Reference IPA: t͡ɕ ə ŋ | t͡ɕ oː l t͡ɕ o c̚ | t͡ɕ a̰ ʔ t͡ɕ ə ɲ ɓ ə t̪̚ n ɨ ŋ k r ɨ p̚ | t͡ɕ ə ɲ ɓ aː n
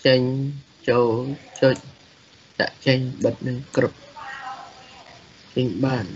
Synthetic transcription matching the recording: t͡ɕ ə ɲ | t͡ɕ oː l t͡ɕ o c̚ | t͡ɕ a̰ ʔ t͡ɕ ə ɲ ɓ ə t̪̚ n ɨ ŋ k r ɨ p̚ | t͡ɕ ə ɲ ɓ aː n